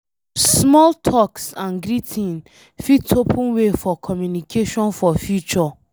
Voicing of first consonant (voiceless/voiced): voiceless